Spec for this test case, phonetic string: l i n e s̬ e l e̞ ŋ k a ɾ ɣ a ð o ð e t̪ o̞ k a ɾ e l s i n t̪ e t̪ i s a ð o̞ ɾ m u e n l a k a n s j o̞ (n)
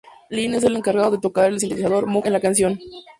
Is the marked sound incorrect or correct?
correct